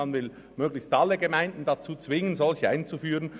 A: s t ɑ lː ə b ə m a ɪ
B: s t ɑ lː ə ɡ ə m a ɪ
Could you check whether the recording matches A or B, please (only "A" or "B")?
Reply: B